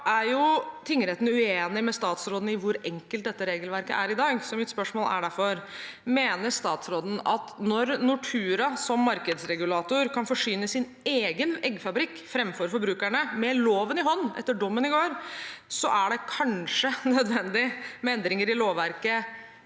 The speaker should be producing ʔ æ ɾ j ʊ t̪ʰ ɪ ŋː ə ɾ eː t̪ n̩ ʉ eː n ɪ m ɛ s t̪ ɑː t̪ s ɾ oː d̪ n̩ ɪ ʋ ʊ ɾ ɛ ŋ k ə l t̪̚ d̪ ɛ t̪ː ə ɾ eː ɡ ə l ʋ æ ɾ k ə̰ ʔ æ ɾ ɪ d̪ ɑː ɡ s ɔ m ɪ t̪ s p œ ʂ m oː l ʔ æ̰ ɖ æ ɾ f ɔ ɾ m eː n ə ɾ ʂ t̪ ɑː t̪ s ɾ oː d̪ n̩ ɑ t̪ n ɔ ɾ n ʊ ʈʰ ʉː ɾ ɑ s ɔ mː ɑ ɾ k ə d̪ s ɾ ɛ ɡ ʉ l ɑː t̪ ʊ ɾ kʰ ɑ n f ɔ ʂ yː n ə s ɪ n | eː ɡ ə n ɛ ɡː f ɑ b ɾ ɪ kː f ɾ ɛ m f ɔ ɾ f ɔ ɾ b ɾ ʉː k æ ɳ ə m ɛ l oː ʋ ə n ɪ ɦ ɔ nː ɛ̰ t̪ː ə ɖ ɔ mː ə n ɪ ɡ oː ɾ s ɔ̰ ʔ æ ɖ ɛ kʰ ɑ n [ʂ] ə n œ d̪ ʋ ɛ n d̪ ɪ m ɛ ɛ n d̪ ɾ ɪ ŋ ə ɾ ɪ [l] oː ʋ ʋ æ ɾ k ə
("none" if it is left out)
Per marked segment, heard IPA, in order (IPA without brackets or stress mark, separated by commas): ʂ, l